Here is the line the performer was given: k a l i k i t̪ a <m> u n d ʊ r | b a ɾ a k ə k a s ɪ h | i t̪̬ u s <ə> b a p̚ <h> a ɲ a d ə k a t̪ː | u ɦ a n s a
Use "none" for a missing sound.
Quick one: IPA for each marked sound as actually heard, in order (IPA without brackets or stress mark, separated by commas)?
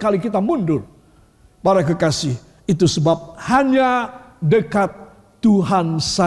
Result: m, ə, h